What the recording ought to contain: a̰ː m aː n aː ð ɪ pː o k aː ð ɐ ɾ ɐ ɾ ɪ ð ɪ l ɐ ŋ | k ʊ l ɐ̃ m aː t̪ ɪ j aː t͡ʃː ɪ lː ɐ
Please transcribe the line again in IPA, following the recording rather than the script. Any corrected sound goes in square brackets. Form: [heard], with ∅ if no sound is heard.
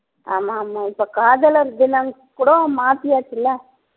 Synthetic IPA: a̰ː m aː [m] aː [∅] ɪ pː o k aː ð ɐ [l] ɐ ɾ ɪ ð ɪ l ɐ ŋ | k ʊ [ɽ] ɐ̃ m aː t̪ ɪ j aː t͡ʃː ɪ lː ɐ

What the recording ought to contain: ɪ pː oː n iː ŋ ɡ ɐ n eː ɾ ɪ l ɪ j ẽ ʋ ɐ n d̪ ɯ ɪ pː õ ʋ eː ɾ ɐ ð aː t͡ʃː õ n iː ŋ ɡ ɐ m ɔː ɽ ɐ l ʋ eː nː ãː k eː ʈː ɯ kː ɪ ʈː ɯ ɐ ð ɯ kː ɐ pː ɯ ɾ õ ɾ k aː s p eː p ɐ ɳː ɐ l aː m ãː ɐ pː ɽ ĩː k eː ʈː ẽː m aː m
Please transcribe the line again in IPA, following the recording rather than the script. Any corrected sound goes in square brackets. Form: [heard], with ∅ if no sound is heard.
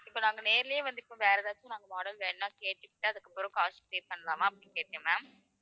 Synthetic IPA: ɪ pː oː n [aː] ŋ ɡ ɐ n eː ɾ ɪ l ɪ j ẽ ʋ ɐ n d̪ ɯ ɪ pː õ ʋ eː ɾ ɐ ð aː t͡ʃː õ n [aː] ŋ ɡ ɐ m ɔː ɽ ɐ l ʋ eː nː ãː k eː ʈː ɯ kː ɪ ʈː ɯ ɐ ð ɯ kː ɐ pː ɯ ɾ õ [∅] k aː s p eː p ɐ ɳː ɐ l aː m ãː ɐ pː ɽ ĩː k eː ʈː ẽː m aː m

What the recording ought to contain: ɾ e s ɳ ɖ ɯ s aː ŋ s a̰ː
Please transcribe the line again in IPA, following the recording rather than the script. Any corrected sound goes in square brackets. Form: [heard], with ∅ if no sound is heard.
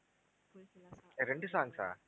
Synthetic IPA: ɾ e [∅] ɳ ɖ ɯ s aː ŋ s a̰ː

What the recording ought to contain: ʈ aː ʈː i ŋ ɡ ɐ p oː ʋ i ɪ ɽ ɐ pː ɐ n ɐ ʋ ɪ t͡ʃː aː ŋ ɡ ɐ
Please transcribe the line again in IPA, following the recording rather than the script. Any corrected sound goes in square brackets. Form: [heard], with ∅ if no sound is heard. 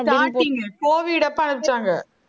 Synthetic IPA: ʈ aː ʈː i ŋ ɡ ɐ [k] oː ʋ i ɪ ɽ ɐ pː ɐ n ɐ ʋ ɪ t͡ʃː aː ŋ ɡ ɐ

